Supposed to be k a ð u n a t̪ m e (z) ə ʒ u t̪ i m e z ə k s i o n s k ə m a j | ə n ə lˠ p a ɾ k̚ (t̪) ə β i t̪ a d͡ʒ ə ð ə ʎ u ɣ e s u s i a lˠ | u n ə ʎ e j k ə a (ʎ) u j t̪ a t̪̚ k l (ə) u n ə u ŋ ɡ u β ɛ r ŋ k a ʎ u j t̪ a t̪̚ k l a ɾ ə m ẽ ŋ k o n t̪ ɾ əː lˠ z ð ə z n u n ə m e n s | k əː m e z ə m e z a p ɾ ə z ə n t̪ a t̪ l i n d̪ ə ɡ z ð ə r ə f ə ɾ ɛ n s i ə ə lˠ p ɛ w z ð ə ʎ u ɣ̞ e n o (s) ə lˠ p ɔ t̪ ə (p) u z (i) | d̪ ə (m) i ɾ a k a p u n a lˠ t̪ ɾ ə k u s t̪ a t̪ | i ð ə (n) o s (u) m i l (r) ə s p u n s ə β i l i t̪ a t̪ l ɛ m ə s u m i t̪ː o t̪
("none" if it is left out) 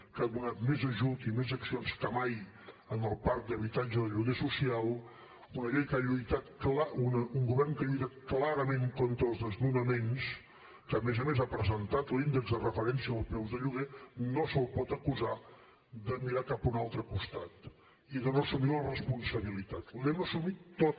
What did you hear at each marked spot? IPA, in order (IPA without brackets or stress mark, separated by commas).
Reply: z, d̪, ʎ, a, s, k, a, m, n, u, r